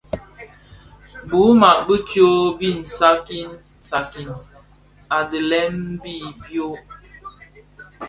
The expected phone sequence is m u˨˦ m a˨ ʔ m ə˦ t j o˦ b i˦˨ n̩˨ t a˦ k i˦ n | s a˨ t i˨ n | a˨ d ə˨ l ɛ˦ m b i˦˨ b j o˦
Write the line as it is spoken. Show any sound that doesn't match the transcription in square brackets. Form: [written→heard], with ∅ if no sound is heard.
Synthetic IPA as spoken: [m→b] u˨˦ m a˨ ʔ [m→b] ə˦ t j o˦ b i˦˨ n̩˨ [t→s] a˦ k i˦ n | s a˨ [t→k] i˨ n | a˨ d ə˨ l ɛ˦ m b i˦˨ b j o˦